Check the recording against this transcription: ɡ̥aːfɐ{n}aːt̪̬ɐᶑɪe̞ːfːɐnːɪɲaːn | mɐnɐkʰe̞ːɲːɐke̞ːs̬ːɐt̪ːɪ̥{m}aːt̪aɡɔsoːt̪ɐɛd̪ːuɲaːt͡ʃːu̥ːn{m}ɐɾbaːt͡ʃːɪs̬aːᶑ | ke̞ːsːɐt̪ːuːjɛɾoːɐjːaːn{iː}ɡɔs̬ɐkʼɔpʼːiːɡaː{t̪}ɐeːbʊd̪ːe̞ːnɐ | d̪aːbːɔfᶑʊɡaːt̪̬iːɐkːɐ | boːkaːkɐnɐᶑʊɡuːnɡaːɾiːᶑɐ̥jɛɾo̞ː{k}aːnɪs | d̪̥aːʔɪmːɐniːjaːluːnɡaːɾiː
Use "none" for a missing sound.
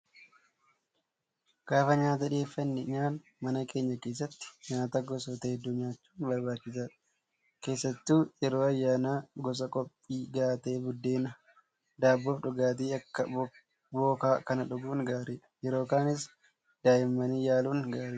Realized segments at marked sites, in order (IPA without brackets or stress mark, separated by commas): ɲ, ɲ, b, aː, t̪, k